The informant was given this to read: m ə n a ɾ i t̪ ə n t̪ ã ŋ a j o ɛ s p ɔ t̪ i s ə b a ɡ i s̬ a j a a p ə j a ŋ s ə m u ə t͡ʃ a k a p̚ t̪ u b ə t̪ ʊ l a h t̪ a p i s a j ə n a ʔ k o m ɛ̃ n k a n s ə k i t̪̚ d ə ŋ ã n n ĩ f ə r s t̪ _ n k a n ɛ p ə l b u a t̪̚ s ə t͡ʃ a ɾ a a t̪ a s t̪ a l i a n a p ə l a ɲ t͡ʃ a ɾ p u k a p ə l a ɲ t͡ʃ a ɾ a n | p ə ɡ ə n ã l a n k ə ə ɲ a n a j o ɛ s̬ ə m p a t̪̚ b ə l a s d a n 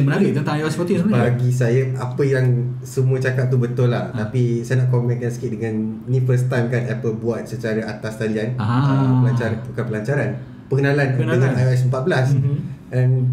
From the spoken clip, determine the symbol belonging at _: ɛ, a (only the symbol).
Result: a